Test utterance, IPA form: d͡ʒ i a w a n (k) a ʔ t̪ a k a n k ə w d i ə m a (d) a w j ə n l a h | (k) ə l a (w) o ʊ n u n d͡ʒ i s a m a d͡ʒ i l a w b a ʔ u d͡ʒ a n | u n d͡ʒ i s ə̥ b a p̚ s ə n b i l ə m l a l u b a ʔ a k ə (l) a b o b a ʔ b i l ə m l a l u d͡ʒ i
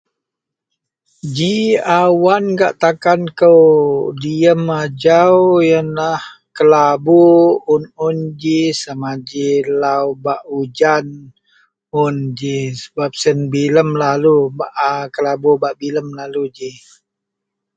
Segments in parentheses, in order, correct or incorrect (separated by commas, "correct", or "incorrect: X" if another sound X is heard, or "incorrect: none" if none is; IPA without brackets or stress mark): incorrect: ɡ, incorrect: d͡ʒ, correct, incorrect: b, correct